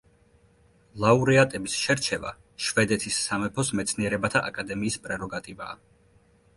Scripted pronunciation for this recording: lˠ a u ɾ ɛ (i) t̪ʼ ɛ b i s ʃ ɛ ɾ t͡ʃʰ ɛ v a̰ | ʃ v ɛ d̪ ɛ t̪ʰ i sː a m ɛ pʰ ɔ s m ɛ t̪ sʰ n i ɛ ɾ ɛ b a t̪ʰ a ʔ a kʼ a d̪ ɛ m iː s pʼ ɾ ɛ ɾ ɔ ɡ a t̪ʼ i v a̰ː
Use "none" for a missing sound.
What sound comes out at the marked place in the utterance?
a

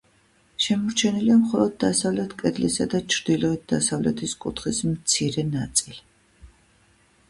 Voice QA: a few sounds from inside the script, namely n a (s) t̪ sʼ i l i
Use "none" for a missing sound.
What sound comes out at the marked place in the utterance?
none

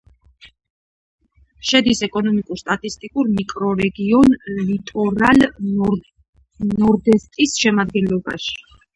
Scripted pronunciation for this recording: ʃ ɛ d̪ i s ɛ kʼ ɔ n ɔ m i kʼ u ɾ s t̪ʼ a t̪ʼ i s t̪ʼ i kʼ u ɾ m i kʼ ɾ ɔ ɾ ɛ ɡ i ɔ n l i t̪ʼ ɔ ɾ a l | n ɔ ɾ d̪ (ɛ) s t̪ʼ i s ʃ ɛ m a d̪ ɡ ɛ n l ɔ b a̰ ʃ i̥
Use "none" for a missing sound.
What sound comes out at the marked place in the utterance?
ɛ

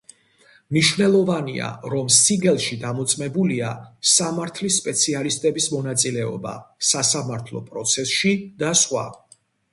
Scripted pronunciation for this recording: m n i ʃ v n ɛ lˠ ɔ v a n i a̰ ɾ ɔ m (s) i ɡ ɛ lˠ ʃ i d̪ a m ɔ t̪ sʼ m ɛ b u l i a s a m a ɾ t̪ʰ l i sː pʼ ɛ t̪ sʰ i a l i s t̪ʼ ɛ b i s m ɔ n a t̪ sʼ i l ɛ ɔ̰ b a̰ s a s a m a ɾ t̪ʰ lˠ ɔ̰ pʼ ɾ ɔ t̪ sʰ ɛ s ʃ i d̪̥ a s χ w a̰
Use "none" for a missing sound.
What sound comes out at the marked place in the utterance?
s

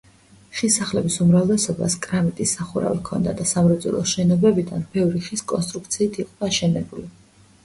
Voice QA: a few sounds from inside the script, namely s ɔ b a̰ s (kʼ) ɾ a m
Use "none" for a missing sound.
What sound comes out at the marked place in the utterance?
kʼ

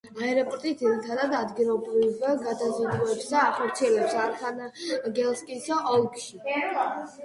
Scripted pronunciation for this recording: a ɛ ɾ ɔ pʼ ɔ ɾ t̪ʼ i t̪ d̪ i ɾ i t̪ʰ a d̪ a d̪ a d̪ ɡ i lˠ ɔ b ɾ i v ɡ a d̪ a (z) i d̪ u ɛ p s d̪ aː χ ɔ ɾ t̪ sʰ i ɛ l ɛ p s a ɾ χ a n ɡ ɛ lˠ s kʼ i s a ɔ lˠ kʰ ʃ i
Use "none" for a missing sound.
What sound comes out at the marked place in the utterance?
z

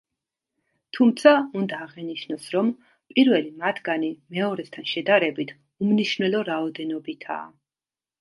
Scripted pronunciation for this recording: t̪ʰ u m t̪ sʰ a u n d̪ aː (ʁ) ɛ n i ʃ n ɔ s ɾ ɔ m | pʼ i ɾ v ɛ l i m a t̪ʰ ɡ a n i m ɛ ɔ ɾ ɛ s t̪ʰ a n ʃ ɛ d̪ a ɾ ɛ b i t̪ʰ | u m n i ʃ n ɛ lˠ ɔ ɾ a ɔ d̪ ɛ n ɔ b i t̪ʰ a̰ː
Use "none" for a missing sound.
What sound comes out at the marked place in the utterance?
ʁ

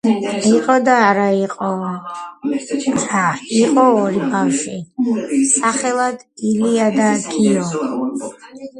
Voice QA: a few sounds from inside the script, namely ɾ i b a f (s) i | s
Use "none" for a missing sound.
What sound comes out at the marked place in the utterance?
ʃ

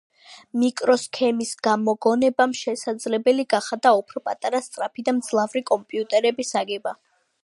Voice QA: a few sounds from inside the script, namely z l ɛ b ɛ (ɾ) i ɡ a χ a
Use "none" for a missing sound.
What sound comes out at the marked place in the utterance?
l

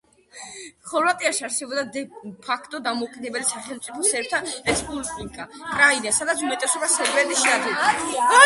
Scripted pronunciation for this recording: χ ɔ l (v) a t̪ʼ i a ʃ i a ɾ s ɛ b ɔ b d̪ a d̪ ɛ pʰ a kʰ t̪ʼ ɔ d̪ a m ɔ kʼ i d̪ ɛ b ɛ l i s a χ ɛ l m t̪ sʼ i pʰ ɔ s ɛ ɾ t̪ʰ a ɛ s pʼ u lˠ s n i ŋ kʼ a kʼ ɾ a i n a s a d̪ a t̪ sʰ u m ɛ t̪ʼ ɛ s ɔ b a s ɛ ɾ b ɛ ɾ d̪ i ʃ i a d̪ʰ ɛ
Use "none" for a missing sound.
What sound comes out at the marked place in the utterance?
v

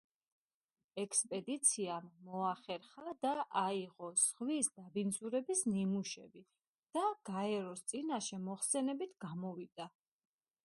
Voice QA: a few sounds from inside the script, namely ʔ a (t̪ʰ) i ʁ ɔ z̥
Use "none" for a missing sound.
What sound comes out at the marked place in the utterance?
none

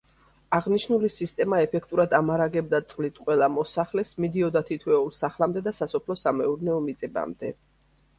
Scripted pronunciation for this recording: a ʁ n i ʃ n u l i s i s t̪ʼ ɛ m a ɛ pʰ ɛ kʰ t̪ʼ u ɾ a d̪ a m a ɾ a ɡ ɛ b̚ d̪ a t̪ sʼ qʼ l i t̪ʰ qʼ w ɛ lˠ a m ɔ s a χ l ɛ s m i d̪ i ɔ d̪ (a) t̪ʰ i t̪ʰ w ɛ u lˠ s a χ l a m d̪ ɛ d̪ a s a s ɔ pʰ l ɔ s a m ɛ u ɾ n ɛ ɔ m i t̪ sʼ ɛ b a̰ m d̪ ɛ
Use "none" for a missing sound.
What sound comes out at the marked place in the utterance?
a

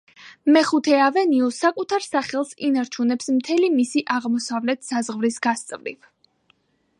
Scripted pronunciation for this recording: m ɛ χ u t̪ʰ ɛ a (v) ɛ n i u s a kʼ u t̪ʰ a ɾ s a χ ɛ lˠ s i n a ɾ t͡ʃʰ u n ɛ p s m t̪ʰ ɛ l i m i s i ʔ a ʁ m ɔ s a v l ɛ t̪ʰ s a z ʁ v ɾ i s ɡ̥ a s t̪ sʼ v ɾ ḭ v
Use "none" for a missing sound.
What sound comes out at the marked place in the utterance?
v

